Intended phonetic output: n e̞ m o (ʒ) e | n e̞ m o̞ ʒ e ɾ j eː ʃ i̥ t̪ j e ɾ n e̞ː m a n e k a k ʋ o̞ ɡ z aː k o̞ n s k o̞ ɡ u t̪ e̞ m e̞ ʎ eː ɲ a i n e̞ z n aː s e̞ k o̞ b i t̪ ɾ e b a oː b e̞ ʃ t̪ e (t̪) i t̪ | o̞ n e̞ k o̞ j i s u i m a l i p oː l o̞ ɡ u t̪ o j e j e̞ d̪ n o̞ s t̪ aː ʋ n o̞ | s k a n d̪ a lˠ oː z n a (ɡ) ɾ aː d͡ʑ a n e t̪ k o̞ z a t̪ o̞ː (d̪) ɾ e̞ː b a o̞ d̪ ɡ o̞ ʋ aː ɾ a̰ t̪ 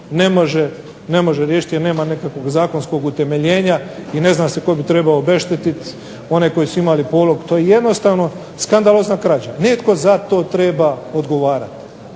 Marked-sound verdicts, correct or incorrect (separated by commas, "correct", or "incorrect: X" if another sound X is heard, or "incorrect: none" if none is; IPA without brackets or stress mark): correct, correct, incorrect: k, incorrect: t̪